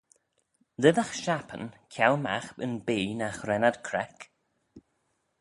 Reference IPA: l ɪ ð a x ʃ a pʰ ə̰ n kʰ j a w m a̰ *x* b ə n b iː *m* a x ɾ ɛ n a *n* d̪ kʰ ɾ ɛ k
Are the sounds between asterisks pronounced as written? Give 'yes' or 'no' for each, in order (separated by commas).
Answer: yes, no, no